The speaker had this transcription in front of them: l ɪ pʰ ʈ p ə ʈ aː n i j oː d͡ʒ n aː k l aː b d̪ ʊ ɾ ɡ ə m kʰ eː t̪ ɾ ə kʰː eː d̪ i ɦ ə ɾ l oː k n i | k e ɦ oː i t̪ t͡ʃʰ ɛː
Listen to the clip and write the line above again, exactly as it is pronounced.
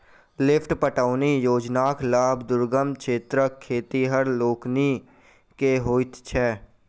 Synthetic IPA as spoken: l ɪ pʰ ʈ p ə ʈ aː n i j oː d͡ʒ n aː k l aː b d̪ ʊ ɾ ɡ ə m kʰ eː t̪ ɾ ə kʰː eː t̪ i ɦ ə ɾ l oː k n i | k e ɦ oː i t̪ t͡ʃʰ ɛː